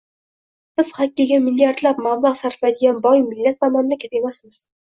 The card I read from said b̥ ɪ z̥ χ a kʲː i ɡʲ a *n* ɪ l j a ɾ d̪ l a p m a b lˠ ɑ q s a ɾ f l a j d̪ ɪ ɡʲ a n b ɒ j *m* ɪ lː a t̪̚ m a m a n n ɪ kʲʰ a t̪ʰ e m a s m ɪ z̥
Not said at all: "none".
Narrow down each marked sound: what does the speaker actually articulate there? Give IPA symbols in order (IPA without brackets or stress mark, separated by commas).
m, m